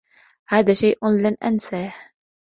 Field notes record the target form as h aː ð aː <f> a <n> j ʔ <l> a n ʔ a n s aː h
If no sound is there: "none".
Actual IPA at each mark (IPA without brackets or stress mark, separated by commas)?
ʃ, none, l